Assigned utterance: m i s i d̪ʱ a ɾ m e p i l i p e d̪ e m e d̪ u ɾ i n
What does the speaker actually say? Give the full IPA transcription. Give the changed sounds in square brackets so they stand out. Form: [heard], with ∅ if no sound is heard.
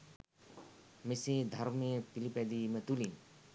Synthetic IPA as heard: m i s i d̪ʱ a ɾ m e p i l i p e d̪ [i] m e [t̪] u [l] i n